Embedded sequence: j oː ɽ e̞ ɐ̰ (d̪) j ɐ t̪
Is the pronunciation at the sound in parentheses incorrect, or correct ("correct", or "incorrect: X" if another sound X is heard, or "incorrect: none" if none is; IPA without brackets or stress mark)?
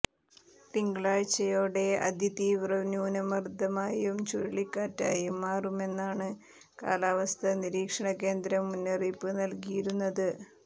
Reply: correct